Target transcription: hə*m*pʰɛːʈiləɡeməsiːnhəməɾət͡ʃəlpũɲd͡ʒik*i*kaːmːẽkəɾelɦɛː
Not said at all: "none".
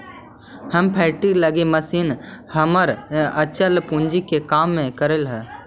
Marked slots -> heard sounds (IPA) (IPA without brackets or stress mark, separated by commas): m, e